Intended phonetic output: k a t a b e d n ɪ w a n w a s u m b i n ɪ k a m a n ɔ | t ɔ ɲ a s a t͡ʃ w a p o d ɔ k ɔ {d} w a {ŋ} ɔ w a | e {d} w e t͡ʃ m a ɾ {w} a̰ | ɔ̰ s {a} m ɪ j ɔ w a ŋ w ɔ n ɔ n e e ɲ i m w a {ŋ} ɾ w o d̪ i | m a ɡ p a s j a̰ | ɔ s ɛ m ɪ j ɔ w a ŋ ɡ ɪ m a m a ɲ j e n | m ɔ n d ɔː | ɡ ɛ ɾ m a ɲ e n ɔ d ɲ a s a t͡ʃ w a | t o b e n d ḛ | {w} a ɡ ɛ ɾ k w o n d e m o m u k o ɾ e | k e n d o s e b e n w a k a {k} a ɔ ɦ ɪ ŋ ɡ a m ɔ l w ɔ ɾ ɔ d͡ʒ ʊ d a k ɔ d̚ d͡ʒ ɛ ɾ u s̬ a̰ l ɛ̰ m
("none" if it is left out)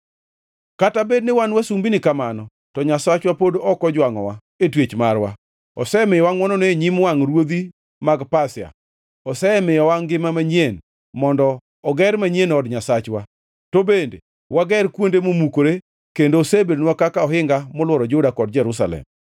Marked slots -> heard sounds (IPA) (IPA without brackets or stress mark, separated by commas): d͡ʒ, ŋ, t, w, ɛ, ŋ, w, k